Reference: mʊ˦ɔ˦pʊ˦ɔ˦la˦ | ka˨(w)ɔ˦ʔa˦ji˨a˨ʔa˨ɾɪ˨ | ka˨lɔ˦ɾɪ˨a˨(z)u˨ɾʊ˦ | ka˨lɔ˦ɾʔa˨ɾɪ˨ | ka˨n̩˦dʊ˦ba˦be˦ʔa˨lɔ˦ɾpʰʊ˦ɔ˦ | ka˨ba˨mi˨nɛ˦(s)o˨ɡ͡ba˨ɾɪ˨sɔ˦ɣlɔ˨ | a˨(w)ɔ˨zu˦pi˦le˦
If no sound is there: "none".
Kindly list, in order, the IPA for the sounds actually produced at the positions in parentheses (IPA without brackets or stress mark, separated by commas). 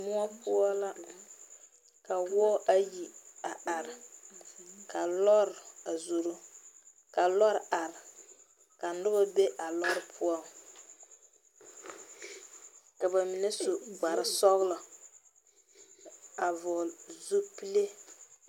w, z, s, v